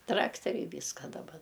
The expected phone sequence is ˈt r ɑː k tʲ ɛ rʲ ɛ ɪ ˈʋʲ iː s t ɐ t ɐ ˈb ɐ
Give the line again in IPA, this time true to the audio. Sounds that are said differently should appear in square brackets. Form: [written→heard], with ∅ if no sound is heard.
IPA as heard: ˈt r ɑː k tʲ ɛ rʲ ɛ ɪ ˈʋʲ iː s [t→k] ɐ [t→d] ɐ ˈb ɐ